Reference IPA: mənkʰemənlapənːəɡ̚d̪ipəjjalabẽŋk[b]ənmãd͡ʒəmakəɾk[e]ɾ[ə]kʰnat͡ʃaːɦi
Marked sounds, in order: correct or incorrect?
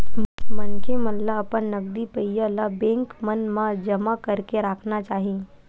incorrect, correct, incorrect

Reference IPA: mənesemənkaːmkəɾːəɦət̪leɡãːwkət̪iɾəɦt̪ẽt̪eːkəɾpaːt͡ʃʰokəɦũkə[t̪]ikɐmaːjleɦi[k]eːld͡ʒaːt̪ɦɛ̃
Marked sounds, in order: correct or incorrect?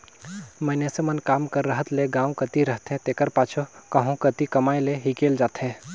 correct, correct

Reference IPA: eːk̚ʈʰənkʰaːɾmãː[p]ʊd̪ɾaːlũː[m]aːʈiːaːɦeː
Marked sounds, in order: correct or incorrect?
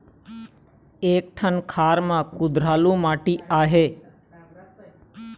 incorrect, correct

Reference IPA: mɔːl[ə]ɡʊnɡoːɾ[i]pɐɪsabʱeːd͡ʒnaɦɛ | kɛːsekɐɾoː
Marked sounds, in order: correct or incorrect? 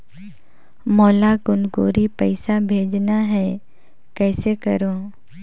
incorrect, correct

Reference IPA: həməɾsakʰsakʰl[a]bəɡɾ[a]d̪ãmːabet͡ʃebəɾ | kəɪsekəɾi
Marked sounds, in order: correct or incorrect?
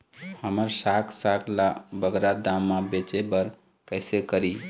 correct, correct

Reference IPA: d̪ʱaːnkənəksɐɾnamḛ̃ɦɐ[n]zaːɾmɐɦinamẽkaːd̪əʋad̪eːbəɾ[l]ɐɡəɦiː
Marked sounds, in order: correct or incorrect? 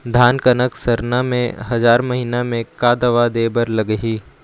incorrect, correct

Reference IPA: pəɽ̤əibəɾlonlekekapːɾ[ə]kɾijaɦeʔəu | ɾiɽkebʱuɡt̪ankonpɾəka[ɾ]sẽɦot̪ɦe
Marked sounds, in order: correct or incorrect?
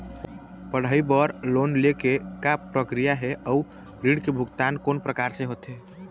correct, correct

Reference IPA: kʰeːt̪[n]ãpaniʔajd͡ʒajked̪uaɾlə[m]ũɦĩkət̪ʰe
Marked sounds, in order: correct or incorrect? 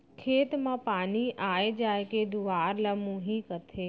incorrect, correct

